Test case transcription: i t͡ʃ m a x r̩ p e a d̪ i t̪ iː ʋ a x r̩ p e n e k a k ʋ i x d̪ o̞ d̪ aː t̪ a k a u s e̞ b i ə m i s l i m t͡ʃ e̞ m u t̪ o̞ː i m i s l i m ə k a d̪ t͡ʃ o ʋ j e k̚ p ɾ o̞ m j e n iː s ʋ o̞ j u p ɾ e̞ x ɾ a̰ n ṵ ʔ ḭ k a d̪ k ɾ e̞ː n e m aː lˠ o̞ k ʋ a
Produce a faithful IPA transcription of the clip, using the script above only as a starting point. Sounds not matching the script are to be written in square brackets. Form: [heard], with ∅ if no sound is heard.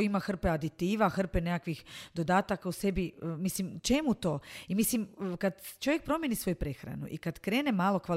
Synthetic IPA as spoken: i [∅] m a x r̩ p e a d̪ i t̪ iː ʋ a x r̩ p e n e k a k ʋ i x d̪ o̞ d̪ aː t̪ a k a u s e̞ b i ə m i s l i m t͡ʃ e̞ m u t̪ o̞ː i m i s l i m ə k a d̪ t͡ʃ o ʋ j e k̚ p ɾ o̞ m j e n [i] s ʋ o̞ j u p ɾ e̞ x ɾ a̰ n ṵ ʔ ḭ k a d̪ k ɾ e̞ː n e m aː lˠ o̞ k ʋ a